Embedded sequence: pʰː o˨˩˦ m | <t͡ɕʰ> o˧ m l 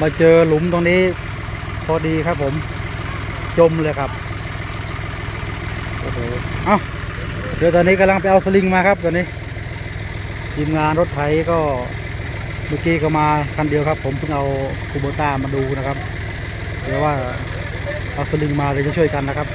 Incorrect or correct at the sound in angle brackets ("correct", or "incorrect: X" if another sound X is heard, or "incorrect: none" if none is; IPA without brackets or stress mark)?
incorrect: t͡ɕ